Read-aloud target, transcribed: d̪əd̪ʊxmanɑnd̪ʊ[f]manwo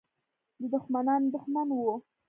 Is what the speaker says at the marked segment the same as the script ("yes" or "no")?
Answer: no